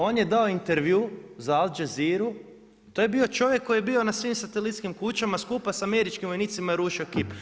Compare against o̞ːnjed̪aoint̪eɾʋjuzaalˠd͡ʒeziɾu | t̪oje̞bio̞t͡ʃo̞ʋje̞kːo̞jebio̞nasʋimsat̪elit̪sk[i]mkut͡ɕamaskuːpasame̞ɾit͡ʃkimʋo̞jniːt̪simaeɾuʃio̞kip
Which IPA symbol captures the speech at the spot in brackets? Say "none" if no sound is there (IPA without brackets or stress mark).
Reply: i